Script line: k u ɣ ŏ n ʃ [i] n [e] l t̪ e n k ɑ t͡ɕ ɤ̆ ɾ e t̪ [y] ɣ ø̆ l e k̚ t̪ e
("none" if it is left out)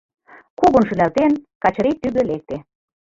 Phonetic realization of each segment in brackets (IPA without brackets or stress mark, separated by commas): y, æ, y